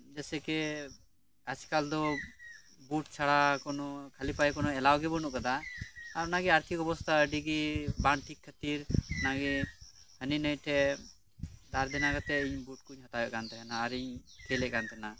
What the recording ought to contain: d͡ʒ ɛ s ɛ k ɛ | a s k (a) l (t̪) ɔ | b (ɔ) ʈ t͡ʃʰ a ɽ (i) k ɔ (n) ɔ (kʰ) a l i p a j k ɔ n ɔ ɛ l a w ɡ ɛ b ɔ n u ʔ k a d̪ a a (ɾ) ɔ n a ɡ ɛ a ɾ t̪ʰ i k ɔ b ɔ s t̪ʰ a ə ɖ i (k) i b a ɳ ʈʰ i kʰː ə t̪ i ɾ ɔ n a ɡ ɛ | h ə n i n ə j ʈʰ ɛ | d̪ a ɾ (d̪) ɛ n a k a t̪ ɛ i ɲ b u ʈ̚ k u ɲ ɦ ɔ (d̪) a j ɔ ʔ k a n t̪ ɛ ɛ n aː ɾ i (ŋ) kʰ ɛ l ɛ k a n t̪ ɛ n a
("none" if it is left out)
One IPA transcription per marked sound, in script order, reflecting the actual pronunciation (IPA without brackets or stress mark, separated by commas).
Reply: a, d̪, u, a, n, kʰ, ɾ, ɡ, d̪, t̪, ɲ